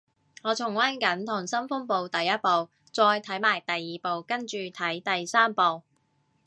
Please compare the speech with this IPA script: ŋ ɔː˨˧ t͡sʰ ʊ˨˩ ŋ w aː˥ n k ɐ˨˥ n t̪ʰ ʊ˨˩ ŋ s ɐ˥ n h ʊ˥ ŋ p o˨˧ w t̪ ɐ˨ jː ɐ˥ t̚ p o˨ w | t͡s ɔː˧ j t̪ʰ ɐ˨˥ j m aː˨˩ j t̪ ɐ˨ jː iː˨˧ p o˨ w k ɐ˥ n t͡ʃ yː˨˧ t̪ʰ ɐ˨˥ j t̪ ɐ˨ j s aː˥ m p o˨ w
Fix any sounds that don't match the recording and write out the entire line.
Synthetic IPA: ŋ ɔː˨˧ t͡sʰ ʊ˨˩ ŋ w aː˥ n k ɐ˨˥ n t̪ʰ ʊ˨˩ ŋ s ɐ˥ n f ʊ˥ ŋ p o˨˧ w t̪ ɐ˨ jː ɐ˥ t̚ p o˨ w | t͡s ɔː˧ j t̪ʰ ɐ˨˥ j m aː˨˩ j t̪ ɐ˨ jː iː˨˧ p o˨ w k ɐ˥ n t͡ʃ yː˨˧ t̪ʰ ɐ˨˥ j t̪ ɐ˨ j s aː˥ m p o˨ w